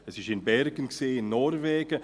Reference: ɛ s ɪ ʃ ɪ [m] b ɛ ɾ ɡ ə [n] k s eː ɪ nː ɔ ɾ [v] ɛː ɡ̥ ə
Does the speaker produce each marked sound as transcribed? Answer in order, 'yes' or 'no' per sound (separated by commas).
no, yes, yes